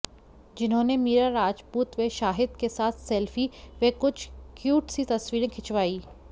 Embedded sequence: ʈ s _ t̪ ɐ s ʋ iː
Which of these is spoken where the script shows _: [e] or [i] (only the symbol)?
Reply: i